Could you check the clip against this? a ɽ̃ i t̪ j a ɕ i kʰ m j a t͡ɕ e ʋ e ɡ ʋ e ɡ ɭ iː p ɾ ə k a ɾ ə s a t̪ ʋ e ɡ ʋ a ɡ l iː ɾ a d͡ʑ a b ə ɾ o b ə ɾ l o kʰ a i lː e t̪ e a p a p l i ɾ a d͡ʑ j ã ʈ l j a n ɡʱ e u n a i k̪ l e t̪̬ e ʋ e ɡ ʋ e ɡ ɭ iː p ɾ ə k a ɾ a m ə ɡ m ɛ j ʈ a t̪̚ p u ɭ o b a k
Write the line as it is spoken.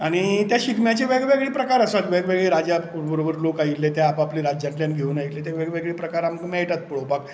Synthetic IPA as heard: a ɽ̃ i t̪ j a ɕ i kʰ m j a t͡ɕ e ʋ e ɡ ʋ e ɡ ɭ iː p ɾ ə k a ɾ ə s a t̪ ʋ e ɡ ʋ e ɡ ɭ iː ɾ a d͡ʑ a b ə ɾ o b ə ɾ l o k a i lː e t̪ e a p a p l i ɾ a d͡ʑ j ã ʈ l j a n ɡʱ e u n a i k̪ l e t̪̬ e ʋ e ɡ ʋ e ɡ ɭ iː p ɾ ə k a ɾ a m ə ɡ m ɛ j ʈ a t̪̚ p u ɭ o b a k